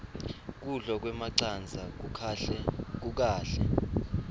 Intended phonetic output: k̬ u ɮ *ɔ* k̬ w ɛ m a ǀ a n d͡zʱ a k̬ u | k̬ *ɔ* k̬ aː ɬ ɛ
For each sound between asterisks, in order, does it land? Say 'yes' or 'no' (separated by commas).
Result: yes, no